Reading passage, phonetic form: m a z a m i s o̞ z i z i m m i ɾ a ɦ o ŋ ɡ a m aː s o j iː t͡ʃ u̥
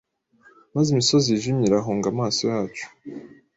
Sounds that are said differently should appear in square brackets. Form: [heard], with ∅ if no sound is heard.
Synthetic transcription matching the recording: m a z [i] m i s o̞ z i [ʒ] i m [ɲ] i ɾ a ɦ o ŋ ɡ a m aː s o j [aː] t͡ʃ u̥